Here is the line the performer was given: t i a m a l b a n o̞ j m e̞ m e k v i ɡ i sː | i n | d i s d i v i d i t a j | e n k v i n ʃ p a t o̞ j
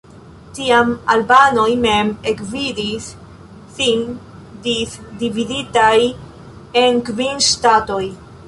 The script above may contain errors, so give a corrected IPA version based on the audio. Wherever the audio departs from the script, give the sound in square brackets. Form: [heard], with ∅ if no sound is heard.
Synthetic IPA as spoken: t i a m a l b a n o̞ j m e̞ m e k v i [d] i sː | i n | d i s d i v i d i t a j | e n k v i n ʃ [t] a t o̞ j